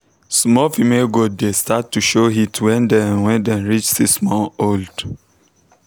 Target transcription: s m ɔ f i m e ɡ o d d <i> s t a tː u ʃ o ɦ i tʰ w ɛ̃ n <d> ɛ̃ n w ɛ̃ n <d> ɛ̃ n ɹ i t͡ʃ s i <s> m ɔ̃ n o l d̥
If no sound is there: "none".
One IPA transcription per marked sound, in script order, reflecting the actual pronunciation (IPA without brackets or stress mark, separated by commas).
e, d, d, s